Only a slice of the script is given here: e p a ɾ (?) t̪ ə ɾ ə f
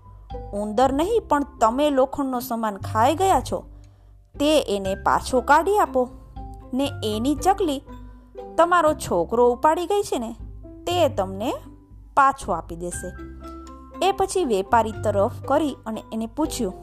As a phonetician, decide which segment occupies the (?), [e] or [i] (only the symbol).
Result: i